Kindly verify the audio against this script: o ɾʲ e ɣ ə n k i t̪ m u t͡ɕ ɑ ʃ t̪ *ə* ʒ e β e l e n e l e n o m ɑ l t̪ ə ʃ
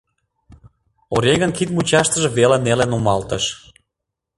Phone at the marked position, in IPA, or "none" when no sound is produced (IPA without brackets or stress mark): ə